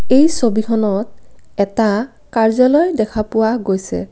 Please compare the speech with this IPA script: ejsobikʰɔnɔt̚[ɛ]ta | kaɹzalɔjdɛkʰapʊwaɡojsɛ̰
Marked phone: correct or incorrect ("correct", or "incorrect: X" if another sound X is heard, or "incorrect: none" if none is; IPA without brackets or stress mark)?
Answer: correct